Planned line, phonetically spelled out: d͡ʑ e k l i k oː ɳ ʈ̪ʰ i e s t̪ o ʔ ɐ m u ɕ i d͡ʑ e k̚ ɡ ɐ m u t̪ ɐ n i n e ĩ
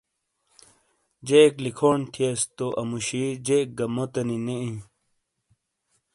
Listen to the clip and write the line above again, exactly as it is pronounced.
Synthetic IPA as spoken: d͡ʑ e k l i kʰ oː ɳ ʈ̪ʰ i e s t̪ o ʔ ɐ m u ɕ i d͡ʑ e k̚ ɡ ɐ m o t̪ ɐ n i n e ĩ